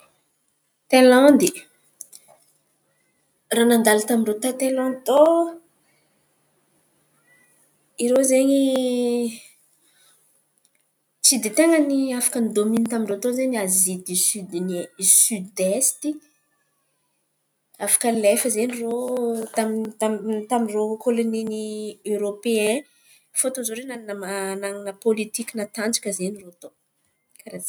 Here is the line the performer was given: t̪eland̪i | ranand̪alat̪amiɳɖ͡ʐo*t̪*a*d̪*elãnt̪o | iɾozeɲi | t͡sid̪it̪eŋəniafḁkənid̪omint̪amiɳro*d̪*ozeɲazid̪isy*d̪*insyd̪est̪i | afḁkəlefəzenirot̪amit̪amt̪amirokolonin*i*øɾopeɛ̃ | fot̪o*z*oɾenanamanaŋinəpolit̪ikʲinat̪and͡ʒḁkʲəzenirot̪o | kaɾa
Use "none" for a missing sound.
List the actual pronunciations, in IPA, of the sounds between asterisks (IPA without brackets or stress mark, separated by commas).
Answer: t̪, t̪, t̪, d̪, i, z